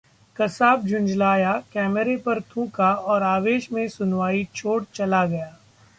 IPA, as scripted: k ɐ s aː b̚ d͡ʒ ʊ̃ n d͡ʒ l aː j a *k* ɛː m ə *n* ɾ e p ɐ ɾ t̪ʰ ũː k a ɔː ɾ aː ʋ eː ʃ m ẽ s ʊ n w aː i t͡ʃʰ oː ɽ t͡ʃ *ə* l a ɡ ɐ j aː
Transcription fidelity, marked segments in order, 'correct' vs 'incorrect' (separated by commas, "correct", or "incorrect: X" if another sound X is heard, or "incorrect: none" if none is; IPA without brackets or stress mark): correct, incorrect: none, incorrect: ɐ